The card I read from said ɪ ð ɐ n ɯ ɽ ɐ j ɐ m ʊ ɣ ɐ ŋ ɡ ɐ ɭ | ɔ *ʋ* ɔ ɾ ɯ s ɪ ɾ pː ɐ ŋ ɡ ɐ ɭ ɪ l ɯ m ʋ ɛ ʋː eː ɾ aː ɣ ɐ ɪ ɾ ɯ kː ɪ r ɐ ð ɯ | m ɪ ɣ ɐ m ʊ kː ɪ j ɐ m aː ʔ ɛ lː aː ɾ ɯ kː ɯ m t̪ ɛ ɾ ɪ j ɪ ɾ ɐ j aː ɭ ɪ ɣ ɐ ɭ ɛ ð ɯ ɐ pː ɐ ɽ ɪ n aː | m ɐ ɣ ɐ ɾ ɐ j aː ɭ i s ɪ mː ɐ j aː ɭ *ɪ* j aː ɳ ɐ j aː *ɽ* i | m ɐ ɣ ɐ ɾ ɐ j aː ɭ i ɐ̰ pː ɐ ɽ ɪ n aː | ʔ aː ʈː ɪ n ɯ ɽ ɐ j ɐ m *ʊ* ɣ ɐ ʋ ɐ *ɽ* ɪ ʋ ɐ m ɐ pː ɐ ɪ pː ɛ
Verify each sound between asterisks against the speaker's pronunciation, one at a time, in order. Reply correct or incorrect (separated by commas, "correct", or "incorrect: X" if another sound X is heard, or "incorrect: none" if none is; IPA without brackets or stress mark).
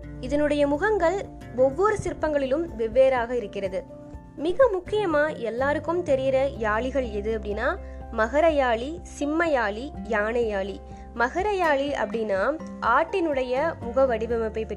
incorrect: ʋː, incorrect: i, incorrect: ɭ, correct, correct